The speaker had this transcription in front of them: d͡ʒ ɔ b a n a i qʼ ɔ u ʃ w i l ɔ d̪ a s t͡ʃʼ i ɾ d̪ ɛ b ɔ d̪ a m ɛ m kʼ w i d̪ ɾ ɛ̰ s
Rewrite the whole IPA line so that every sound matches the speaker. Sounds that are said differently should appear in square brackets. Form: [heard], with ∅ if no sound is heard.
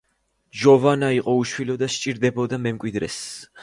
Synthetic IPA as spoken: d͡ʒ ɔ [v] a n a i qʼ ɔ u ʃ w i l ɔ d̪ a [ʃ] t͡ʃʼ i ɾ d̪ ɛ b ɔ d̪ a m ɛ m kʼ w i d̪ ɾ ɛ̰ s